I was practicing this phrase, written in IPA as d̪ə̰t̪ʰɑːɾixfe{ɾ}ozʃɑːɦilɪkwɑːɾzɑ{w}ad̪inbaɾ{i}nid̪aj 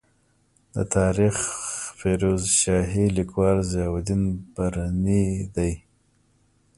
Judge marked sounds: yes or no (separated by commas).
yes, yes, no